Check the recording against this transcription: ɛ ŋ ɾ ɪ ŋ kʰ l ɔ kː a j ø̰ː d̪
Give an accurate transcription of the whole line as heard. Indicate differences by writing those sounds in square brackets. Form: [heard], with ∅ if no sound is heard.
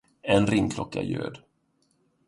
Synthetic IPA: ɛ [n] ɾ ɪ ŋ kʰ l ɔ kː a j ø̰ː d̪